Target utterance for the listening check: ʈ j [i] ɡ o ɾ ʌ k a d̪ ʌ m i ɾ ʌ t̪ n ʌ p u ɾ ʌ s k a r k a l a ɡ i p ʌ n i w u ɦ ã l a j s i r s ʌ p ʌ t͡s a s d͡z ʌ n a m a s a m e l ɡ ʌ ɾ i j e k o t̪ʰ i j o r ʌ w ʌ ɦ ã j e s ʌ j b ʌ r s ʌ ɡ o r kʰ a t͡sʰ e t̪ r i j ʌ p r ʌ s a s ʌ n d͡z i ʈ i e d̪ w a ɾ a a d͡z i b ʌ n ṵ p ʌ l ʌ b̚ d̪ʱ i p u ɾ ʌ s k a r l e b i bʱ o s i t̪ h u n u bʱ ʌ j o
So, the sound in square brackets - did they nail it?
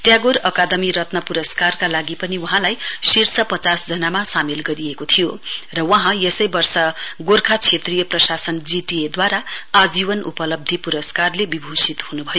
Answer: no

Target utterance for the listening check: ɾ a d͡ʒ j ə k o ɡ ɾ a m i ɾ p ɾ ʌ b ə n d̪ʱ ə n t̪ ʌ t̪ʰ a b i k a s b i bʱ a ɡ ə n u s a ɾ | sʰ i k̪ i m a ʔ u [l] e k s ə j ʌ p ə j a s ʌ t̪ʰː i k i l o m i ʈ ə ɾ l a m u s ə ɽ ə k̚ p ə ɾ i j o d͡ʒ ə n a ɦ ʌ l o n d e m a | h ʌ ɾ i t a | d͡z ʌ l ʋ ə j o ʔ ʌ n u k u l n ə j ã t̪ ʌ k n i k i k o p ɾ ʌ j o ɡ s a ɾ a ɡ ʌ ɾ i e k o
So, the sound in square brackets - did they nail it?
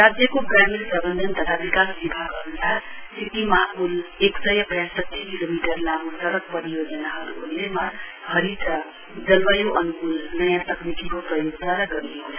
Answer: yes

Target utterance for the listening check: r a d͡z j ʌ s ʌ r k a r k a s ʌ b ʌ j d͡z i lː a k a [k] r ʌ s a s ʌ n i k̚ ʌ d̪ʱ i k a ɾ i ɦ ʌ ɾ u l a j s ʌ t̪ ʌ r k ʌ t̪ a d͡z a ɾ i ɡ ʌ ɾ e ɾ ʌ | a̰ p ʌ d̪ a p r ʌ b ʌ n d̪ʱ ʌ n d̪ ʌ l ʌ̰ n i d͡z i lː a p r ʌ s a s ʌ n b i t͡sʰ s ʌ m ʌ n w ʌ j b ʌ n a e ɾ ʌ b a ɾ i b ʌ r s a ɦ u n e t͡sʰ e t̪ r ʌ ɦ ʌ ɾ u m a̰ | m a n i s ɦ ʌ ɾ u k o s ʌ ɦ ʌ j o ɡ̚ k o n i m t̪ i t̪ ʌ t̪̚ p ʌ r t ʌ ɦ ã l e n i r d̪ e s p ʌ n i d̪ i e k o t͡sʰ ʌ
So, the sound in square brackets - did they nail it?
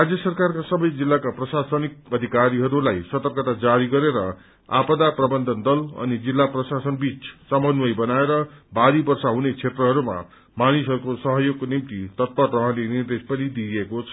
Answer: no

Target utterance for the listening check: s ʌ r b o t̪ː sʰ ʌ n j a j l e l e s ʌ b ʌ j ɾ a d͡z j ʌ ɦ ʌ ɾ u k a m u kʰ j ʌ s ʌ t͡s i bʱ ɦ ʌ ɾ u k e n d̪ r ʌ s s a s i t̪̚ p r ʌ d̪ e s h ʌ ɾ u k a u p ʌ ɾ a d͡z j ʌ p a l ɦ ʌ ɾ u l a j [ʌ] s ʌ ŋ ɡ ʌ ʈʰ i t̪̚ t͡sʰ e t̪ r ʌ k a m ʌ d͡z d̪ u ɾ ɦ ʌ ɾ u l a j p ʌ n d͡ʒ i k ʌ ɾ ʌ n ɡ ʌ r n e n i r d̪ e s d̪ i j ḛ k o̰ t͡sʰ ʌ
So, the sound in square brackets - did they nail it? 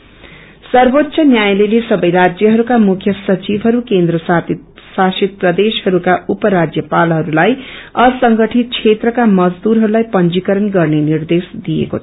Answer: yes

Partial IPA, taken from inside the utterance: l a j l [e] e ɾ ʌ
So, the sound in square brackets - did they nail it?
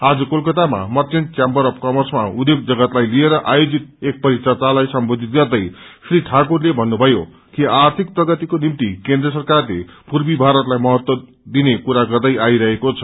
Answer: no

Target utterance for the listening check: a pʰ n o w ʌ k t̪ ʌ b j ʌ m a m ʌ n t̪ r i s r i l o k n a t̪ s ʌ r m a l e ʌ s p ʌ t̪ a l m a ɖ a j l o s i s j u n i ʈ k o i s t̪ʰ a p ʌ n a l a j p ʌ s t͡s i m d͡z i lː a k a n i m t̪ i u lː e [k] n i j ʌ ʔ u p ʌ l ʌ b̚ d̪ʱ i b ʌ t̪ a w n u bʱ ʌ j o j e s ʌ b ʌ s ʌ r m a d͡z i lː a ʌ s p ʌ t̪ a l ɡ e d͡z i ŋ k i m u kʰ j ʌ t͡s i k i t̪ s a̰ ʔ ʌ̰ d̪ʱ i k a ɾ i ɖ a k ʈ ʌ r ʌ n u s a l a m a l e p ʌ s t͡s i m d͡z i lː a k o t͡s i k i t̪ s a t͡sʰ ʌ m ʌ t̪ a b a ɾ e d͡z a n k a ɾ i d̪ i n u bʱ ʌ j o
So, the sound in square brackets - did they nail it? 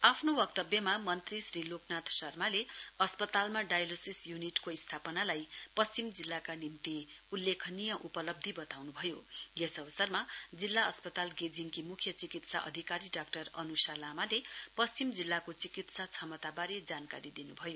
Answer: no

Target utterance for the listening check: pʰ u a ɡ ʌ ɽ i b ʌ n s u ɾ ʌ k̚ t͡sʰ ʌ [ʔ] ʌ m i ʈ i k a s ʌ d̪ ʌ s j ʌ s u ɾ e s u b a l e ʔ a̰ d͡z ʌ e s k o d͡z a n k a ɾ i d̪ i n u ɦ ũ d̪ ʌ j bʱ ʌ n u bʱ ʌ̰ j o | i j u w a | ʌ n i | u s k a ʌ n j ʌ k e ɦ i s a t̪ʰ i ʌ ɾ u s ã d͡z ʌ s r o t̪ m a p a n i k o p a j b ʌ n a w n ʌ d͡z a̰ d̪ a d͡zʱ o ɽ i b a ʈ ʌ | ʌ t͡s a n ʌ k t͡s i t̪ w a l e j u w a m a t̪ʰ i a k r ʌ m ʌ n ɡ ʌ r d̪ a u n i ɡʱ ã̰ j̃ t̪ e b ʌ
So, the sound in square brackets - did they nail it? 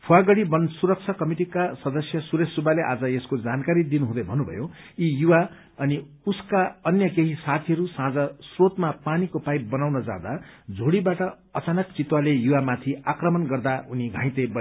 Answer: no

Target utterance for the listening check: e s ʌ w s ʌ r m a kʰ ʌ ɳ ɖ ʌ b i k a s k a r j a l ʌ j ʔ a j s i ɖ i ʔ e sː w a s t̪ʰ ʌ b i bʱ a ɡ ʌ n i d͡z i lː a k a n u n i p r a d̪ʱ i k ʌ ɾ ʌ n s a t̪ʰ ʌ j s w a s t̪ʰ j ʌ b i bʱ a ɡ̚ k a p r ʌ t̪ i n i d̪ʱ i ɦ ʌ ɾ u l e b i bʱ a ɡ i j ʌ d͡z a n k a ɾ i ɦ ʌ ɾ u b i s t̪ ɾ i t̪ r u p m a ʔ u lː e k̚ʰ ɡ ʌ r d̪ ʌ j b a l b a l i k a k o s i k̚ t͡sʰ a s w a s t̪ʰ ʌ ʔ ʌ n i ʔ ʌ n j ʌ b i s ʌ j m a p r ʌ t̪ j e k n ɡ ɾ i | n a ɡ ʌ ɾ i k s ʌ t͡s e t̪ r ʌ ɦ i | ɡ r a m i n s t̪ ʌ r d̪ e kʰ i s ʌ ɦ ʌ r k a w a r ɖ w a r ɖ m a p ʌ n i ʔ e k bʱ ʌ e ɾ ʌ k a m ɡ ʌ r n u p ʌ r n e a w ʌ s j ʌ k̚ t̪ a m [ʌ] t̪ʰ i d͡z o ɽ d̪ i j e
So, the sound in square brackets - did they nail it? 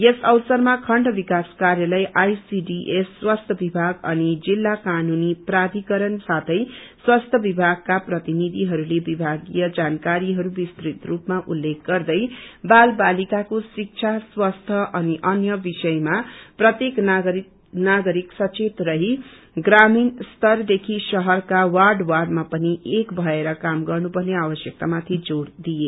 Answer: no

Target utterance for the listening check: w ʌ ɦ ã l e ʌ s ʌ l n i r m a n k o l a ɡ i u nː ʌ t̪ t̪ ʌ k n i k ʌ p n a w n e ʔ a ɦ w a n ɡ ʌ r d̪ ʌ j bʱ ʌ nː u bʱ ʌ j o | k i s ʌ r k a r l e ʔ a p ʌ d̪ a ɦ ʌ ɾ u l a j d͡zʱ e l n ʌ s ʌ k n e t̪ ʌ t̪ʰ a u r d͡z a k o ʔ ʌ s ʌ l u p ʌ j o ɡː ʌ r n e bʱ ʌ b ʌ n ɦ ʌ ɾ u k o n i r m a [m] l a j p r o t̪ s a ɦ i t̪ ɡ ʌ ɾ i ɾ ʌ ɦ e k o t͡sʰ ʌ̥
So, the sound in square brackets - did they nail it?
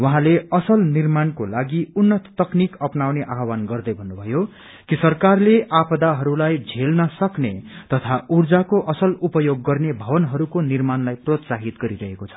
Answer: no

